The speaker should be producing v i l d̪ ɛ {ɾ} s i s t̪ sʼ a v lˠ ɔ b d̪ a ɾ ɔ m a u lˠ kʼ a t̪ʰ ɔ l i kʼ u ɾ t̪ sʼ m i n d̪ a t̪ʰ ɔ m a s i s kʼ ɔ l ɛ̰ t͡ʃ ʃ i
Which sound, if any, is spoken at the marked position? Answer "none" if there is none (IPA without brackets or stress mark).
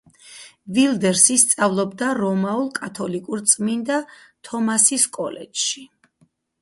ɾ